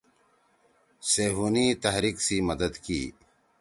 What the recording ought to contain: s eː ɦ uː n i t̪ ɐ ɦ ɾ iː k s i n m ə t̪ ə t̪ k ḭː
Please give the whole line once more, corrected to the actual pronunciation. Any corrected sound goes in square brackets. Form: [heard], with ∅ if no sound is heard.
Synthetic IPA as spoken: s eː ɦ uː n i t̪ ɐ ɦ ɾ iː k s i [∅] m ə [d̪] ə [d̪] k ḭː